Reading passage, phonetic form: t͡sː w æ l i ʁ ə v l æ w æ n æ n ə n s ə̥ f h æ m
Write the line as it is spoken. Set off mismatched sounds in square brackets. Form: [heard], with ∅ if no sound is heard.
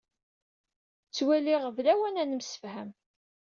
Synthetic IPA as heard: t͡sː w æ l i ʁ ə v l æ w æ n æ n ə [m] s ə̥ f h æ m